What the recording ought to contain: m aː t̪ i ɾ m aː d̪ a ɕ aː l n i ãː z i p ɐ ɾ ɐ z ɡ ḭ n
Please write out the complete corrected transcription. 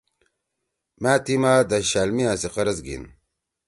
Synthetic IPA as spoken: m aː t̪ i m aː d̪ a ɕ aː l m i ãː s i q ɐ ɾ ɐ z ɡ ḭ n